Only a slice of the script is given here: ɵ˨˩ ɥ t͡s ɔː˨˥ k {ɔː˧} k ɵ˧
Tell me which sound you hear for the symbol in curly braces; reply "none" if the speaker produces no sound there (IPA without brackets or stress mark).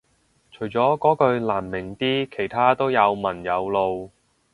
ɔː˨˥